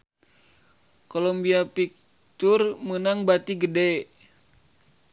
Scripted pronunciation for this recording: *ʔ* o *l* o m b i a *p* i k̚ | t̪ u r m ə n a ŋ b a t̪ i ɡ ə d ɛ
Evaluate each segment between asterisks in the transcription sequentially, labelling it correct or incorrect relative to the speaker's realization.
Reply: incorrect, correct, correct

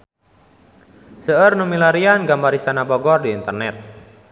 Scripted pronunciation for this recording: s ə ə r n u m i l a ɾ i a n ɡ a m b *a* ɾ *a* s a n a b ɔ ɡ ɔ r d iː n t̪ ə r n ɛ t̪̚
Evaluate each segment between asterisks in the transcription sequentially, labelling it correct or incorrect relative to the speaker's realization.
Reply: correct, incorrect

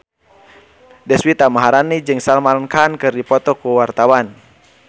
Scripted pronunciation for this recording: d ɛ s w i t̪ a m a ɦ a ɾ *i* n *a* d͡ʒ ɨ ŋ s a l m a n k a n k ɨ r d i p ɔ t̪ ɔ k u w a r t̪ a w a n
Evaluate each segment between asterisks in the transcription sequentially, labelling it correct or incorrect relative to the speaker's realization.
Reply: incorrect, incorrect

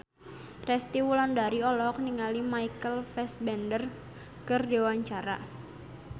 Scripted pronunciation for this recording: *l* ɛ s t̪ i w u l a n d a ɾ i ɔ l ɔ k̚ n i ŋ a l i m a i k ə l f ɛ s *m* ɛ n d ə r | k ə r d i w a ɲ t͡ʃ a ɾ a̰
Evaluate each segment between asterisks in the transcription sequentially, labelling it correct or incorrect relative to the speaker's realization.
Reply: incorrect, incorrect

